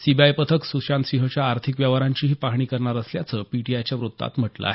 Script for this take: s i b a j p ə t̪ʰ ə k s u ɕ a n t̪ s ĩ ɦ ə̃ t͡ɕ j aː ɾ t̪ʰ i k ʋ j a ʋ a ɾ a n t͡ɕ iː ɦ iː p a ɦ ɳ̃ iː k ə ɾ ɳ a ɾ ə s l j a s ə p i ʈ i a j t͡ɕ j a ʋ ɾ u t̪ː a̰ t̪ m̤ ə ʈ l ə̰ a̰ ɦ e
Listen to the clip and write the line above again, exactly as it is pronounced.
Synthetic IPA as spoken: s i b a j p ə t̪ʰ ə k s u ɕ a n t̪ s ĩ ɦ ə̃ t͡ɕ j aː ɾ t̪ʰ i k ʋ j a ʋ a ɾ a ɲ t͡ɕ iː ɦ iː p a ɦ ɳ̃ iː k ə ɾ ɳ a ɾ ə s l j a t͡s ə p i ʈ i a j t͡ɕ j a ʋ ɾ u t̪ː a̰ t̪ m̤ ə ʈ l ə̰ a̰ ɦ e